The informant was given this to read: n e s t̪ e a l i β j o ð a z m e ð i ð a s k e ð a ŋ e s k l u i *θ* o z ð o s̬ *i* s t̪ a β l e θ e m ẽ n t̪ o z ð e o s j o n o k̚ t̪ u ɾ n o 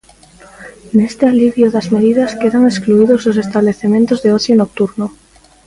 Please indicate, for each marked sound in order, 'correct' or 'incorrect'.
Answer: incorrect: ð, incorrect: e

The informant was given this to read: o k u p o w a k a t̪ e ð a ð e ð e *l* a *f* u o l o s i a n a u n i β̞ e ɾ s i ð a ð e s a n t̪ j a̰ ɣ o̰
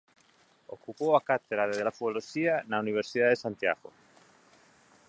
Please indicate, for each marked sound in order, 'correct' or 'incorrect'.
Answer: correct, correct

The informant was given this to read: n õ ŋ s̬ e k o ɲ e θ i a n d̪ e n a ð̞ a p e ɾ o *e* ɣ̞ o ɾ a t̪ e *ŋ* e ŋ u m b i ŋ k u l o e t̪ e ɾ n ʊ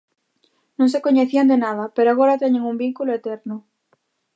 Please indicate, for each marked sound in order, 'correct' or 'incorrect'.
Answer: incorrect: a, incorrect: ɲ

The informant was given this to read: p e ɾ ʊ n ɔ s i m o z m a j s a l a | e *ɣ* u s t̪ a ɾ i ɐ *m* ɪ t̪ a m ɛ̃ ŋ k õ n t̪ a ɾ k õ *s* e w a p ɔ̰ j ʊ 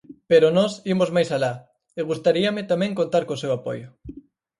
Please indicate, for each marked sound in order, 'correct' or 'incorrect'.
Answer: correct, correct, correct

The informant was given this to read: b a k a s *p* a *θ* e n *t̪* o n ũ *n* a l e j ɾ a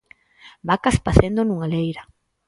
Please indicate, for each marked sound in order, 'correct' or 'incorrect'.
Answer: correct, correct, incorrect: d̪, incorrect: ŋ

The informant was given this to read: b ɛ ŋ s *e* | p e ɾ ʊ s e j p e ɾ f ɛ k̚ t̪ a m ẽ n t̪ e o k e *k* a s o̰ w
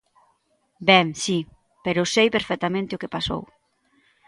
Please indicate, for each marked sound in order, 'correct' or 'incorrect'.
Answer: incorrect: i, incorrect: p

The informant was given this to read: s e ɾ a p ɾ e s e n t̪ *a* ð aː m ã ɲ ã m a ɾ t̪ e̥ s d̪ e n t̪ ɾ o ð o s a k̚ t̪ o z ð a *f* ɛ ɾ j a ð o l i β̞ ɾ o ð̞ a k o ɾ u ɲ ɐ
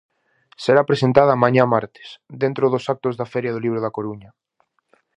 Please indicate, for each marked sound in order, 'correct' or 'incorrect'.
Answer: correct, correct

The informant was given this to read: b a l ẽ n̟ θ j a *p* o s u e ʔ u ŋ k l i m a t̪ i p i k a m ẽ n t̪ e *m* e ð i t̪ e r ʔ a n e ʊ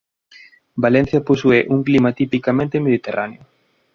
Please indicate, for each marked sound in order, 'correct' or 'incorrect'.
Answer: correct, correct

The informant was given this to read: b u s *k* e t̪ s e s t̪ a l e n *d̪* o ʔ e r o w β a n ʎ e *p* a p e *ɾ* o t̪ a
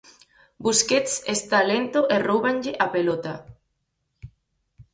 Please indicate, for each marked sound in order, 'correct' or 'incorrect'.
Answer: correct, incorrect: t̪, incorrect: ʔ, incorrect: l

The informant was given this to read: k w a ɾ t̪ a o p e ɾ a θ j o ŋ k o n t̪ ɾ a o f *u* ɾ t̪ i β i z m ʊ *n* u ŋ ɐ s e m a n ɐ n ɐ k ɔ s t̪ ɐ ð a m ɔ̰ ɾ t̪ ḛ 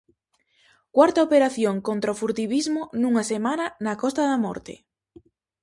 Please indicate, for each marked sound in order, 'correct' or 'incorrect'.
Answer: correct, correct

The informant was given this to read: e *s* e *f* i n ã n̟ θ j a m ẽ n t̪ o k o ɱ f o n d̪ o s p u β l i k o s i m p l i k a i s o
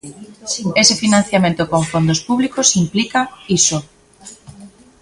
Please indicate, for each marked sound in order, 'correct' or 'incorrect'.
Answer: correct, correct

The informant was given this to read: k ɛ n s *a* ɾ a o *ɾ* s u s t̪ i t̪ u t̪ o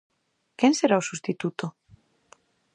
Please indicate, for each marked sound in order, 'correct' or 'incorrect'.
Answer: incorrect: e, incorrect: none

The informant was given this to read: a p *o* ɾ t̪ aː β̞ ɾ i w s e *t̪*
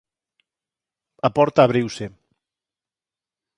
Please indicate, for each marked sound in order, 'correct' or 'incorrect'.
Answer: incorrect: ɔ, incorrect: none

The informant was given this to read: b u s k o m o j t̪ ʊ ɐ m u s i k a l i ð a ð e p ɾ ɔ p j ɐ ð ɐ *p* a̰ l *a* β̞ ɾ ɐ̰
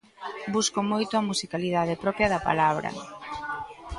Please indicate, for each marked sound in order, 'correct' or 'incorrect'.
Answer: correct, correct

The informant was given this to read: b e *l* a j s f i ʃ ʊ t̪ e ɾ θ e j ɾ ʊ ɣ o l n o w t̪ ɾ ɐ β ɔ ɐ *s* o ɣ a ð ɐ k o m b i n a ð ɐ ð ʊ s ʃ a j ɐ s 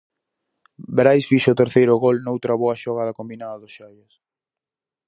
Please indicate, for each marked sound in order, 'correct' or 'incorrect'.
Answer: incorrect: ɾ, incorrect: ʃ

